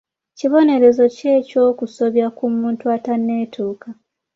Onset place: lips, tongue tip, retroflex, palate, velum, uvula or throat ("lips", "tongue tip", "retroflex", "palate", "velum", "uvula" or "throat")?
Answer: palate